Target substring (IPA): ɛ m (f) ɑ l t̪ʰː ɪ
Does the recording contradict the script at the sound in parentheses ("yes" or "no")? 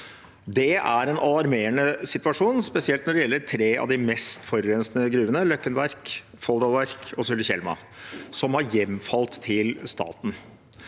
no